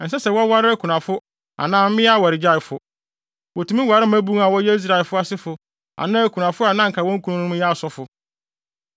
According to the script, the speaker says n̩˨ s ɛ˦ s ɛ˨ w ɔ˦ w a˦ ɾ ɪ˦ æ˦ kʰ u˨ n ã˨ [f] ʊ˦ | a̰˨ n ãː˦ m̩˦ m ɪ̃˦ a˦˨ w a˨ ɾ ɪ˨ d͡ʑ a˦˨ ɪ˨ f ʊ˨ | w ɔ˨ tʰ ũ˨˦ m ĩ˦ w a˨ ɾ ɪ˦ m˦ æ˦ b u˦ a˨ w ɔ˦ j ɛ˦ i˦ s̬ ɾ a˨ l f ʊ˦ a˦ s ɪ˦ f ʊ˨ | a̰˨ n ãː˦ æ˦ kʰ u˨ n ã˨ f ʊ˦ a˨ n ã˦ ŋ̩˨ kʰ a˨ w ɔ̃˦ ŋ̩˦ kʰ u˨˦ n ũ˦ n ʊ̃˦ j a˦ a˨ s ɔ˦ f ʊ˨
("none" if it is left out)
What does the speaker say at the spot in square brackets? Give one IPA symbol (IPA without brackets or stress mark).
f